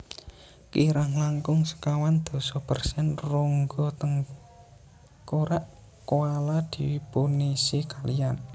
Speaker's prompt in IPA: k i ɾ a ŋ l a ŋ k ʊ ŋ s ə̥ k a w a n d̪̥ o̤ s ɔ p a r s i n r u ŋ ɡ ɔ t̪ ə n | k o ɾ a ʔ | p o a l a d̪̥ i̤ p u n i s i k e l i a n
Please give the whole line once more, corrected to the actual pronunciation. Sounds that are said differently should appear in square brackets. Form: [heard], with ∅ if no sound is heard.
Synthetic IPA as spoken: k i ɾ a ŋ l a ŋ k ʊ ŋ s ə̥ k a w a n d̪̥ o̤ s ɔ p [ə] r s [ɛ] n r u ŋ ɡ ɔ t̪ ə [ŋ] | k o ɾ a ʔ | [k] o a l a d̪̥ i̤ p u n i s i k [a] l i a n